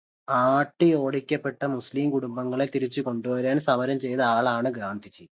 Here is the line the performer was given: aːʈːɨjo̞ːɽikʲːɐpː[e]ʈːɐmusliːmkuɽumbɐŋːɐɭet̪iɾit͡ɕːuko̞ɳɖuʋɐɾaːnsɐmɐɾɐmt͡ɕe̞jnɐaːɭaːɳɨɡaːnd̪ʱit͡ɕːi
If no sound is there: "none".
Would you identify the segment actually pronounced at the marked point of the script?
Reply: e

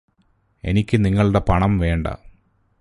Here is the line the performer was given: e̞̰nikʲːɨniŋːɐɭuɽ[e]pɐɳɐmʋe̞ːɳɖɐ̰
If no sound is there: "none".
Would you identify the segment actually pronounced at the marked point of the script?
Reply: e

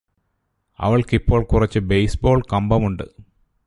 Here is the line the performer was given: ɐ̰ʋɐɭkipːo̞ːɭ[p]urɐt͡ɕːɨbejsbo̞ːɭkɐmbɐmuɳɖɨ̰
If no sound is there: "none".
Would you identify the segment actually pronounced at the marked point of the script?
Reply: k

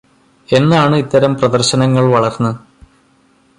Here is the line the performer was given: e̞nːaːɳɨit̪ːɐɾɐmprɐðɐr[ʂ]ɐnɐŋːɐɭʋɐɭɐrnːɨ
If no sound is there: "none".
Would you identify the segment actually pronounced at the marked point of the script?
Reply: ɕ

